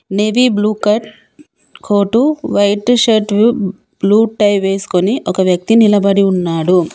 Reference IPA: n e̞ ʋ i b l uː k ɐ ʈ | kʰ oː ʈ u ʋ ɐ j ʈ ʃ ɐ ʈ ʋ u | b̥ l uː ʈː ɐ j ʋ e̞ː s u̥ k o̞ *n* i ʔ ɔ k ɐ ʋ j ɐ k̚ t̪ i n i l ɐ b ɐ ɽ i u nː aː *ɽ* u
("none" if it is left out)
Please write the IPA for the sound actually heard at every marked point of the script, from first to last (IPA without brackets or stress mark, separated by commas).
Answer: n, ɽ